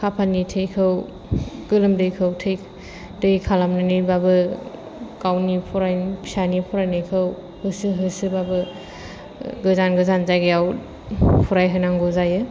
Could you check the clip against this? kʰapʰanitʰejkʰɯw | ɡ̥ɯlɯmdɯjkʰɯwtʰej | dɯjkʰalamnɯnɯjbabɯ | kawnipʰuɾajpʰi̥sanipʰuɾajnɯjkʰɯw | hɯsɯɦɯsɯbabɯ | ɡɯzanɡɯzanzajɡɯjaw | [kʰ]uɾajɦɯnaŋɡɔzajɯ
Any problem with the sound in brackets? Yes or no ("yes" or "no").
yes